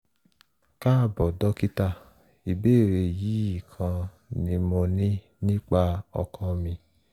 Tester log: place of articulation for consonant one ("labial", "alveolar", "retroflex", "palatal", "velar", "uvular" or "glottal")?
velar